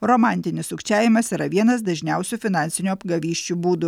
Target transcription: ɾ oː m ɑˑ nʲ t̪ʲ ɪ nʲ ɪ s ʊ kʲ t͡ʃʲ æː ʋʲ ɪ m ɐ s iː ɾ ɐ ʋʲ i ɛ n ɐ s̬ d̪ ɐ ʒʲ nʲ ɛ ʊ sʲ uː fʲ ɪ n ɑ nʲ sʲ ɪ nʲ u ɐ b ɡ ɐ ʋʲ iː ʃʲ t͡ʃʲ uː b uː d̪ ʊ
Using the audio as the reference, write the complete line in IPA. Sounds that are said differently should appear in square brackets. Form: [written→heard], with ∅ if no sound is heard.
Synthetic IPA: ɾ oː m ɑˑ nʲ t̪ʲ ɪ nʲ ɪ s ʊ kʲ t͡ʃʲ æː ʋʲ ɪ m ɐ s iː ɾ ɐ ʋʲ i ɛ n ɐ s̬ d̪ ɐ ʒʲ nʲ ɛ ʊ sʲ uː fʲ ɪ n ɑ nʲ sʲ ɪ nʲ u ɐ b ɡ ɐ ʋʲ iː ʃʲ t͡ʃʲ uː b uː d̪ ʊ